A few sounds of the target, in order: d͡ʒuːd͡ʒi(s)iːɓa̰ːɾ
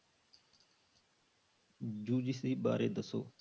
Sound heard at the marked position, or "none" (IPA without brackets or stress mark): s